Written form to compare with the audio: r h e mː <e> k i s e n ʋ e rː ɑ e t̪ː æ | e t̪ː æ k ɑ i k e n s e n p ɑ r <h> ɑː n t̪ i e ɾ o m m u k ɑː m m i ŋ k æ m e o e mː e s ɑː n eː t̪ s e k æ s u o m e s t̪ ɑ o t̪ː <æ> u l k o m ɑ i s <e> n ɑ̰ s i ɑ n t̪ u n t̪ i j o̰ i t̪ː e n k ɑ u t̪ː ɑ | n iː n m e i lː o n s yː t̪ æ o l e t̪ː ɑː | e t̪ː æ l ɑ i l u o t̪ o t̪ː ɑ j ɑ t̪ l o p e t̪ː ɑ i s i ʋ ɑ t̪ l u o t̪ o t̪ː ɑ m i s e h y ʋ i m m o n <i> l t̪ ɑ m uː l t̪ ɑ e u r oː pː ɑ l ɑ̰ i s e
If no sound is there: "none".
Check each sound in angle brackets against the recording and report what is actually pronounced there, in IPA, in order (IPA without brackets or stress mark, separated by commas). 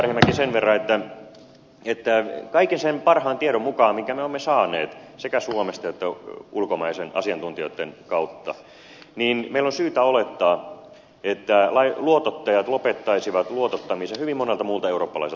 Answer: æ, h, æ, e, e